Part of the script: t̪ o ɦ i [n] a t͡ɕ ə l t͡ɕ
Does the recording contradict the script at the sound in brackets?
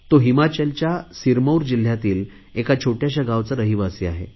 yes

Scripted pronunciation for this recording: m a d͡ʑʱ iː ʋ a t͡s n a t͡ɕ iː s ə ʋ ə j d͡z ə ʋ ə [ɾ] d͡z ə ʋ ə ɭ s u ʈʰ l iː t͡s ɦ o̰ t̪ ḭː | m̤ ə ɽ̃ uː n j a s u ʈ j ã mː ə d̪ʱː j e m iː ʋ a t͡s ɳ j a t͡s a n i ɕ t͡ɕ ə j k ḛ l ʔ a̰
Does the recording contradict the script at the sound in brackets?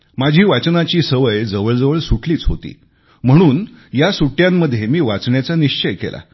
yes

